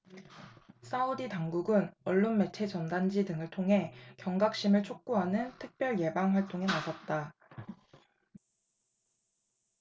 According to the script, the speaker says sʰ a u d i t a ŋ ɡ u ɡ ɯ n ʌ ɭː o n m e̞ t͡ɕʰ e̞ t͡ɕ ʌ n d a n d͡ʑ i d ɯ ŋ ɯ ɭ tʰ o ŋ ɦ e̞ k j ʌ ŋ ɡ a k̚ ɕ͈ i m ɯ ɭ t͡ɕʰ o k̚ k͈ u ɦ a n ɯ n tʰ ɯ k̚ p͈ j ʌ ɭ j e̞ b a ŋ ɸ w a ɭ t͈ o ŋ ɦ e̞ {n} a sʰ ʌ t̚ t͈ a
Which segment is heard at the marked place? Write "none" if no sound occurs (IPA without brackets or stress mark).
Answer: n